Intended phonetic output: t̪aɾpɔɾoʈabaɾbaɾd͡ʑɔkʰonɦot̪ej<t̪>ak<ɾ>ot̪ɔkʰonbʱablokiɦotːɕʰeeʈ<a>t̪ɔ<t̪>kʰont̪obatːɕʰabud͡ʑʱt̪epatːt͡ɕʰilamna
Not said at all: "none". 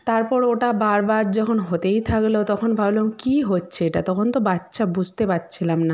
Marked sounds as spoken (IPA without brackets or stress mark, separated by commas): t̪ʰ, l, a, none